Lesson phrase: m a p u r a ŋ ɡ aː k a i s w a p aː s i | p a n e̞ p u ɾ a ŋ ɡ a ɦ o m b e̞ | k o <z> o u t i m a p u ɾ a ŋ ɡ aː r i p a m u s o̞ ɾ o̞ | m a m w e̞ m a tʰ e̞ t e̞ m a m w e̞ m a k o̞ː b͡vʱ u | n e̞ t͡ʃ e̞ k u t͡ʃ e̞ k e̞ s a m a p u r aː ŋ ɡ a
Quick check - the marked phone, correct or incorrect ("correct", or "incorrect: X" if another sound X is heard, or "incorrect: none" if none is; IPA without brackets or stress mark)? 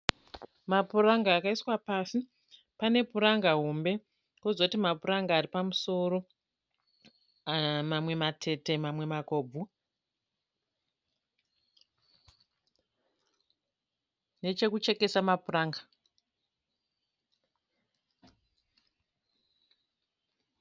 correct